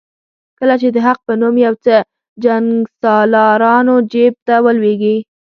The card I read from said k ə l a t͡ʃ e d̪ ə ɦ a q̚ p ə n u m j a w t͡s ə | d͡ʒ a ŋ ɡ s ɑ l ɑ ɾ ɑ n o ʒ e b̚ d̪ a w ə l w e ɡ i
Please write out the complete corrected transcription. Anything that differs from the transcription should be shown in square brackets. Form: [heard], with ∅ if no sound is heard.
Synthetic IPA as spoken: k ə l a t͡ʃ e d̪ ə ɦ a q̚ p ə n u m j a w t͡s ə | d͡ʒ a ŋ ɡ s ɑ l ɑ ɾ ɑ n o [d͡ʒ] e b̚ [t̪] a w ə l w e ɡ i